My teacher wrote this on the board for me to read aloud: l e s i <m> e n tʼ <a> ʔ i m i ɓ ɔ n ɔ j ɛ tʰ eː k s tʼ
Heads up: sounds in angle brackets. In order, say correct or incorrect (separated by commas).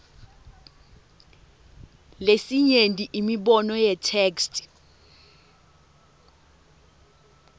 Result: incorrect, incorrect